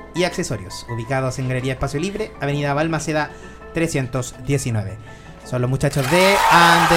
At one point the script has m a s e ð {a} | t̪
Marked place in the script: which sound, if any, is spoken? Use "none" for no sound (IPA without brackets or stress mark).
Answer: a